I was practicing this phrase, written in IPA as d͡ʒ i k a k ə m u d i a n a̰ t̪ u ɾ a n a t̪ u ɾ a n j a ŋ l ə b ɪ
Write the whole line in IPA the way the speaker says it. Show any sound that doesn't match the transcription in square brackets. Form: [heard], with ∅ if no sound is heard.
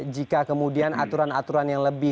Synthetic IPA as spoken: d͡ʒ i k a k ə m u d i a n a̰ t̪ u ɾ a n a t̪ u ɾ a n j a ŋ l ə b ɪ